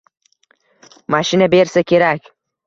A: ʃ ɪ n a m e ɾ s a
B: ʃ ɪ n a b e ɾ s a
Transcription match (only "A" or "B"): B